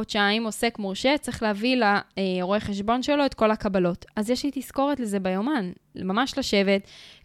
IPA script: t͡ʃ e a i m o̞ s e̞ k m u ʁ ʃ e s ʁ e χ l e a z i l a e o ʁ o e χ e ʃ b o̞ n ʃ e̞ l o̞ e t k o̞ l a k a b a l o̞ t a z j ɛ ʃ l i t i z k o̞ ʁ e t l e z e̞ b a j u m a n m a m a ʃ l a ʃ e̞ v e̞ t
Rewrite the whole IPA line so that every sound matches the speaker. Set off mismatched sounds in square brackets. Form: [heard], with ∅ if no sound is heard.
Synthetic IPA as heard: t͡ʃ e a i m o̞ s e̞ k m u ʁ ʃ e [t͡s] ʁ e χ l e a [v] i l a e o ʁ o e χ e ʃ b o̞ n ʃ e̞ l o̞ e t k o̞ l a k a b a l o̞ t a z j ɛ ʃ l i t i [s] k o̞ ʁ e t l e z e̞ b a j [o] m a n m a m a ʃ l a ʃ e̞ v e̞ t